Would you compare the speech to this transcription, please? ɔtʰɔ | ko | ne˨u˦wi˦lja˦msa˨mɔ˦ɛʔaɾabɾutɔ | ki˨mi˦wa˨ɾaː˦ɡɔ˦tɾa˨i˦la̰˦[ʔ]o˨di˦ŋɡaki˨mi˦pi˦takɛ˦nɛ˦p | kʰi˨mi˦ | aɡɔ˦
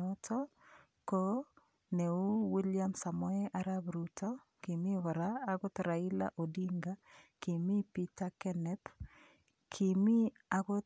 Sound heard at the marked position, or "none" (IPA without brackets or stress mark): ʔ